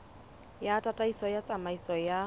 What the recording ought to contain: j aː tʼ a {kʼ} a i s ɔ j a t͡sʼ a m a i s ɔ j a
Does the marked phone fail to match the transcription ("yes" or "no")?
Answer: yes